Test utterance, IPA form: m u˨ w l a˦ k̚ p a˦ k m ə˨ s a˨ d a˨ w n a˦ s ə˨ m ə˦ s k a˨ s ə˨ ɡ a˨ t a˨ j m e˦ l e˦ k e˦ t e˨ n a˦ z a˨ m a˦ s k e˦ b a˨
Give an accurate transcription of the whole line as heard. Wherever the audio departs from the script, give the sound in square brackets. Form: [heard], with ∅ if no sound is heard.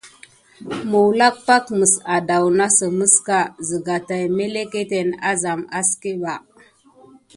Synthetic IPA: m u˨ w l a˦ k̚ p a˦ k m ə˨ s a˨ d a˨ w n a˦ s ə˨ m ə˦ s k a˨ [z] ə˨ ɡ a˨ t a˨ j m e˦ l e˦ k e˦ t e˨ n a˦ z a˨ m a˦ s k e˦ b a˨